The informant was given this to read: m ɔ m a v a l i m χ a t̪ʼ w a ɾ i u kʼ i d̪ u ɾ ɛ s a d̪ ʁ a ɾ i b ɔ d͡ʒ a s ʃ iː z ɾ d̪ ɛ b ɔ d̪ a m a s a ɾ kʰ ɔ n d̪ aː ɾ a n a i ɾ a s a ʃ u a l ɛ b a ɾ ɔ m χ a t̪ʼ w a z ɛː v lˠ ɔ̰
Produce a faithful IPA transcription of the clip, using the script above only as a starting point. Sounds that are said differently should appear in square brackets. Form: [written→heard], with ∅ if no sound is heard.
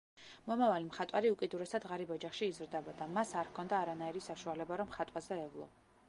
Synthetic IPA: m ɔ m a v a l i m χ a t̪ʼ w a ɾ i u kʼ i d̪ u ɾ ɛ s a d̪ ʁ a ɾ i b ɔ d͡ʒ a [s→χ] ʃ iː z ɾ d̪ ɛ b ɔ d̪ a m a s a ɾ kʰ ɔ n d̪ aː ɾ a n a i ɾ [a→i] s a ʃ u a l ɛ b a ɾ ɔ m χ a t̪ʼ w a z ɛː v lˠ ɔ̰